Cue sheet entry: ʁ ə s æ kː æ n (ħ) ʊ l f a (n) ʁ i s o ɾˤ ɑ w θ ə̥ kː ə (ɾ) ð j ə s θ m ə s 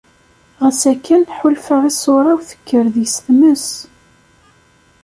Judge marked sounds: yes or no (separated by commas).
yes, no, yes